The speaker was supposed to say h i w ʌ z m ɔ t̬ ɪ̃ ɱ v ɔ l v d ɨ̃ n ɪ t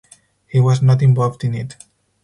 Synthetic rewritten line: h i w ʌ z n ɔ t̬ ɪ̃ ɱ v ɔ l v d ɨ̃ n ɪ t